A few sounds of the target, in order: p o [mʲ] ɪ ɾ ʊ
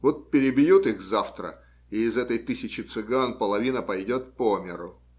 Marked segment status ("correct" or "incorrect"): correct